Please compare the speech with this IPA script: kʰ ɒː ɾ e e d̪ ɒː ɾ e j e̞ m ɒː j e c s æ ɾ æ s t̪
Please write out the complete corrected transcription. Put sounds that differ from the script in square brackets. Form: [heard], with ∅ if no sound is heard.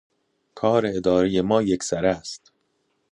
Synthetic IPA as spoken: kʰ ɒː ɾ e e d̪ ɒː ɾ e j e̞ m ɒː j e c s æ ɾ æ s t̪